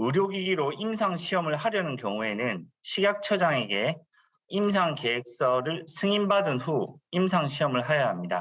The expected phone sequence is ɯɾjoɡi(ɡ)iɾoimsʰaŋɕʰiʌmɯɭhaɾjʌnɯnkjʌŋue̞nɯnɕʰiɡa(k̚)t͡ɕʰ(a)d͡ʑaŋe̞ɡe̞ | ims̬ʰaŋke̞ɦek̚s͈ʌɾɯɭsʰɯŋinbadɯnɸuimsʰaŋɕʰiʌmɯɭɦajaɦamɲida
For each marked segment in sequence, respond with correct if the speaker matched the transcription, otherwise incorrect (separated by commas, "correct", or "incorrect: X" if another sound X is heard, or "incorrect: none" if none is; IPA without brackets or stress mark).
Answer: correct, correct, incorrect: ʌ